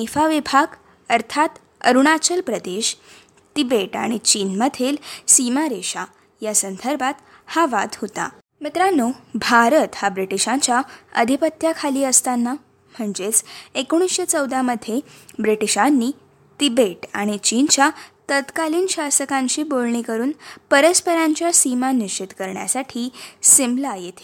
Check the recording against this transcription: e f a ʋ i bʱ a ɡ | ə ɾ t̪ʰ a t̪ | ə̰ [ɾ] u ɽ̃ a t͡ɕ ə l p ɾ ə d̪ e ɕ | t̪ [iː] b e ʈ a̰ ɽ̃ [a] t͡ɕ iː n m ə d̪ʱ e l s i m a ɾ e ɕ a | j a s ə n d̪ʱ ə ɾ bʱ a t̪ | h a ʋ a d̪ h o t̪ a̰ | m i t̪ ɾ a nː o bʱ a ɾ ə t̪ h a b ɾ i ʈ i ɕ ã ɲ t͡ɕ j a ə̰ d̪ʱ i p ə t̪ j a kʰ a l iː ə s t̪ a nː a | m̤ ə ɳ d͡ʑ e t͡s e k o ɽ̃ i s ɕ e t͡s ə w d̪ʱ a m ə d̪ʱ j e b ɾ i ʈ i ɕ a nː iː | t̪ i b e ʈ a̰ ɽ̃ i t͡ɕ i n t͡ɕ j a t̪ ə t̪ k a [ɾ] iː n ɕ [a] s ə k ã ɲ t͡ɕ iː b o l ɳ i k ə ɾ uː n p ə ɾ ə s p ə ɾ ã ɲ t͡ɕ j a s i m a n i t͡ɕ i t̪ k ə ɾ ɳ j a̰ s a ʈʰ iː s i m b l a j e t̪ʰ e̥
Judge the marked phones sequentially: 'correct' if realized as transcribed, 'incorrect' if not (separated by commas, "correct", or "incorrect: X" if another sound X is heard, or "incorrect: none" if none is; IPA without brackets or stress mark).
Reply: correct, incorrect: i, incorrect: i, incorrect: l, correct